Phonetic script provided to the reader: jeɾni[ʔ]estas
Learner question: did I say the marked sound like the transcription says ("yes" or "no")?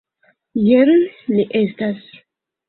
yes